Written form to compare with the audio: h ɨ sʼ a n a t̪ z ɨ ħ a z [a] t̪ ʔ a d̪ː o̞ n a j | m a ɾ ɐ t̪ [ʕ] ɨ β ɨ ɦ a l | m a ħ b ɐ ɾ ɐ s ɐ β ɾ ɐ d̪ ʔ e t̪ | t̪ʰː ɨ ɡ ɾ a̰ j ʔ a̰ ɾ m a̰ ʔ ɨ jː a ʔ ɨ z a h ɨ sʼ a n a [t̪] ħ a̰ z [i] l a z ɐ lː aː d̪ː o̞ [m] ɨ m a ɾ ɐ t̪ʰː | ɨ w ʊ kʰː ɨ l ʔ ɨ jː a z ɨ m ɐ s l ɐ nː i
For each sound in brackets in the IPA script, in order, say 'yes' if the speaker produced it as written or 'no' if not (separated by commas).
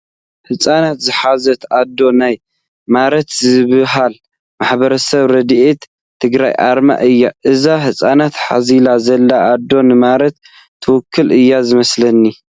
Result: no, no, yes, yes, no